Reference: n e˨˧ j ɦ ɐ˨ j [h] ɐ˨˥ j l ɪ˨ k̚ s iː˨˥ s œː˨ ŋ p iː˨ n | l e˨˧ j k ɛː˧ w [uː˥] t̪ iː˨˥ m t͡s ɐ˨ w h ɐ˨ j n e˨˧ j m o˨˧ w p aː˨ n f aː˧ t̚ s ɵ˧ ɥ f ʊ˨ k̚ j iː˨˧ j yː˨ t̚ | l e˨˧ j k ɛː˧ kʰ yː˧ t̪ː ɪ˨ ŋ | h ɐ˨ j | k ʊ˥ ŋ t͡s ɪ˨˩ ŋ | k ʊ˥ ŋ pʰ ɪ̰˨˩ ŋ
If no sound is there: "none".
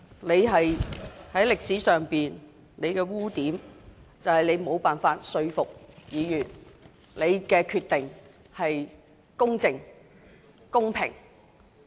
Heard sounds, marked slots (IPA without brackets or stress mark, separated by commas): h, uː˥